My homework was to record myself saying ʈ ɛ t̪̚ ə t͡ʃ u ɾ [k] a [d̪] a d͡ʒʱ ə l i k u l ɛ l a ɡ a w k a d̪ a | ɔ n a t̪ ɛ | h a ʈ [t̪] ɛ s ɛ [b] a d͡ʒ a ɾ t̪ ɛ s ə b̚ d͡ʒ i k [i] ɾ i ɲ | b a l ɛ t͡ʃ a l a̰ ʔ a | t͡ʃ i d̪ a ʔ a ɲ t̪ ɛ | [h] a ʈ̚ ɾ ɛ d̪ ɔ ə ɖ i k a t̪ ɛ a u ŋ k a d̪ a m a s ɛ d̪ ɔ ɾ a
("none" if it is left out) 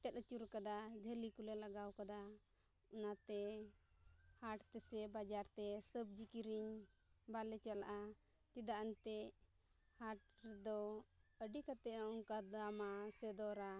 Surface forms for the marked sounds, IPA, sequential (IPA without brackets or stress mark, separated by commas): k, d̪, t̪, b, i, h